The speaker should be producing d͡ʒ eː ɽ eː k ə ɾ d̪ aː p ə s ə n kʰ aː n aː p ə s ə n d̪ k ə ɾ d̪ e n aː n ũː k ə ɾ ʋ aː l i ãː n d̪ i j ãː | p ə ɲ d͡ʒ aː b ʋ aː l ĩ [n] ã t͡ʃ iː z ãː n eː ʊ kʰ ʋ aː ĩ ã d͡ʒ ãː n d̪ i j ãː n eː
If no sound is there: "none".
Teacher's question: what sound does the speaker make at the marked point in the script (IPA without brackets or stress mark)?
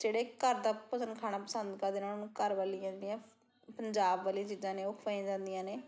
none